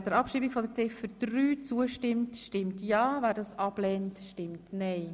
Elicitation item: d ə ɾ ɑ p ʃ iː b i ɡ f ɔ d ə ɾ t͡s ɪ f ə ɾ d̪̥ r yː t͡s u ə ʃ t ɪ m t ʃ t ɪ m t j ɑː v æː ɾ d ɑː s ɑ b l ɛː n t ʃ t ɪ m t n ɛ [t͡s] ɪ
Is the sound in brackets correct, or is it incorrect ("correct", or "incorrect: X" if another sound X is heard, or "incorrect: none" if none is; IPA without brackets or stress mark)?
incorrect: none